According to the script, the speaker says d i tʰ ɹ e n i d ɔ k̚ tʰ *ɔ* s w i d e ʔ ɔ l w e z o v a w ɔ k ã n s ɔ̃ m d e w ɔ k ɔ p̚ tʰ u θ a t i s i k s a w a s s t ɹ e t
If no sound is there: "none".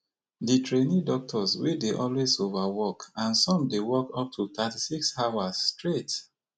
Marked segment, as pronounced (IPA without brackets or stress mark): ɔ